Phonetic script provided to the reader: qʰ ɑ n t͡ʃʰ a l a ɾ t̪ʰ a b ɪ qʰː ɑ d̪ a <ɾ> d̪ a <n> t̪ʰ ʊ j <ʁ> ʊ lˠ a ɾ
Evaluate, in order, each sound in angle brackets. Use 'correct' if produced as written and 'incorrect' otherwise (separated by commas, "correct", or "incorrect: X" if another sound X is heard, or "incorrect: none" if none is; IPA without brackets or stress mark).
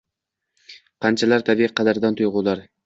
correct, correct, correct